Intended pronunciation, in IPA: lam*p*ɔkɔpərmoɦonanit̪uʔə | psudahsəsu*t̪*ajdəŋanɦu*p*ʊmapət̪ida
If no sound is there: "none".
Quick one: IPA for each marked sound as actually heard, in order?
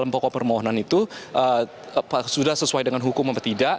p, none, k

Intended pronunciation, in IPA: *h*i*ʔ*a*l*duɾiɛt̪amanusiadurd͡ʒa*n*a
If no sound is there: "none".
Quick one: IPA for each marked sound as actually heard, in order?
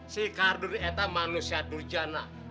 s, k, r, n

